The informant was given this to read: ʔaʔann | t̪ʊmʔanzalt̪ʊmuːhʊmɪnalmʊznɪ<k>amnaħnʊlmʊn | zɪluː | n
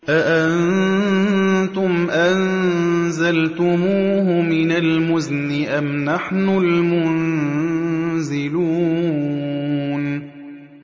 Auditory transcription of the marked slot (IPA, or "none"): ʔ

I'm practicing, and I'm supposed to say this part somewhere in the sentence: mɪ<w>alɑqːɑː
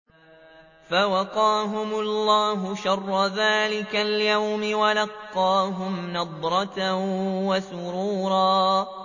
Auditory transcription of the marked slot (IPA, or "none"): w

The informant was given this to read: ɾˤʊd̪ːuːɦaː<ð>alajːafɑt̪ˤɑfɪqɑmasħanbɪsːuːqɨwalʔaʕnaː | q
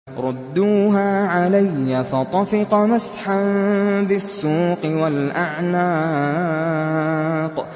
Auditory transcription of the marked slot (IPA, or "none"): ʕ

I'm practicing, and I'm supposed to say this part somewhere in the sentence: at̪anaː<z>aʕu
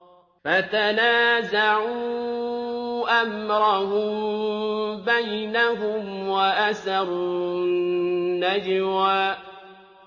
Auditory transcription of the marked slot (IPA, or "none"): z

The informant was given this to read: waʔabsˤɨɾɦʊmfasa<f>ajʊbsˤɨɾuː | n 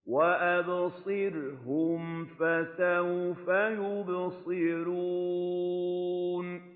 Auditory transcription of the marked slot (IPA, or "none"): f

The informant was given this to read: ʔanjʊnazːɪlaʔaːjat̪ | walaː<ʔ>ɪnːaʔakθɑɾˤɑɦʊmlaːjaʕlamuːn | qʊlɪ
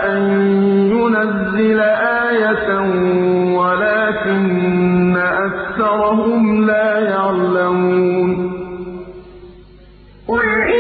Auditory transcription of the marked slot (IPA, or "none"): k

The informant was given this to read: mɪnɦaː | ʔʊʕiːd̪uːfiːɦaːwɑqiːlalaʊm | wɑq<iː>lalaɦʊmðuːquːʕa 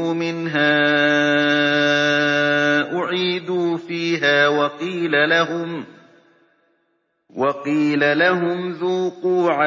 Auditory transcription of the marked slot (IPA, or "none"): iː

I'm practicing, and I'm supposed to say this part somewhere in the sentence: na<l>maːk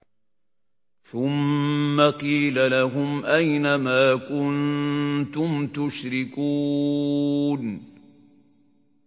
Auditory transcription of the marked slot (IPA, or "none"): none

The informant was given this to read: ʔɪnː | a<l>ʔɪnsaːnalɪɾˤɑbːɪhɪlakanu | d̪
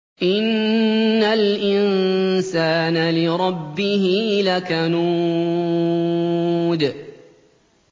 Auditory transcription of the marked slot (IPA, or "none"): l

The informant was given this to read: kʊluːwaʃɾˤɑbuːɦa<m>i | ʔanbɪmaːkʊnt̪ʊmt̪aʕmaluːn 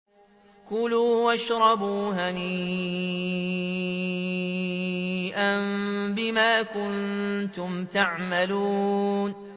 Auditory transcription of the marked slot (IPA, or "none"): n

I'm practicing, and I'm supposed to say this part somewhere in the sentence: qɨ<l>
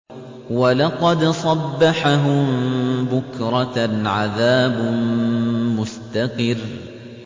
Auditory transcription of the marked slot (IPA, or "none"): r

